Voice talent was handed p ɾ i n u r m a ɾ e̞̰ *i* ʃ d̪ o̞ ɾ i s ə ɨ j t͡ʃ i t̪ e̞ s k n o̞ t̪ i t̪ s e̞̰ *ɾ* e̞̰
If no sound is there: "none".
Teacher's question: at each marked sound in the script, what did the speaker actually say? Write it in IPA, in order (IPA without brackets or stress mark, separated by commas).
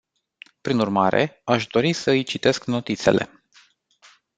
a, l